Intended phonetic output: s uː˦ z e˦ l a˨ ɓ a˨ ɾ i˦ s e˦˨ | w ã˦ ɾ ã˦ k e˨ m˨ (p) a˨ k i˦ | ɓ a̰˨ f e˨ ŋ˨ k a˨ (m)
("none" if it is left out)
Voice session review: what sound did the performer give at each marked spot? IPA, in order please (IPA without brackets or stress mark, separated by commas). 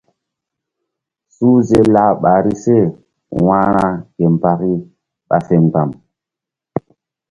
p, m